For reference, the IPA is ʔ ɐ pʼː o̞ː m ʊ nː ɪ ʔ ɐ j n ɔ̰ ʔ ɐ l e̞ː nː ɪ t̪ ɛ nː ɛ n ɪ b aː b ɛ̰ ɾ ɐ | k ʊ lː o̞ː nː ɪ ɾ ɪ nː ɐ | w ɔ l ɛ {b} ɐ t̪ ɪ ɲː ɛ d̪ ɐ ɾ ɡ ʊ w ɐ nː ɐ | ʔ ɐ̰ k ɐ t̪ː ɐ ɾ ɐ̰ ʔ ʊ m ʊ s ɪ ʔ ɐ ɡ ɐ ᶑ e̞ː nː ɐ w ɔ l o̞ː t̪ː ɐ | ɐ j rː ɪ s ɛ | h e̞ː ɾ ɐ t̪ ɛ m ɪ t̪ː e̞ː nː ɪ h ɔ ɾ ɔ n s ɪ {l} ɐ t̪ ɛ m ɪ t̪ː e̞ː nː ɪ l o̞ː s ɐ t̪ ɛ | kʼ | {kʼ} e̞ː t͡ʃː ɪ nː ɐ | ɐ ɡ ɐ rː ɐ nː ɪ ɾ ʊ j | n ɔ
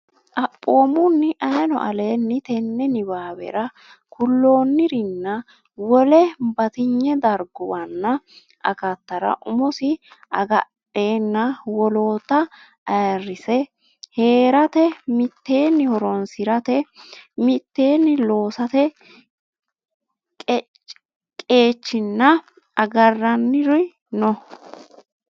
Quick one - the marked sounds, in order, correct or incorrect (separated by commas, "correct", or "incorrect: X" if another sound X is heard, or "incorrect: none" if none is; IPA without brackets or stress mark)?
correct, incorrect: ɾ, correct